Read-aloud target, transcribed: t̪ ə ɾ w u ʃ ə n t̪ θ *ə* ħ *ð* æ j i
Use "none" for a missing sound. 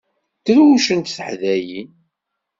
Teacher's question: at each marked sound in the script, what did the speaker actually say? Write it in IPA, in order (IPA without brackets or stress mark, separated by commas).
ə, ð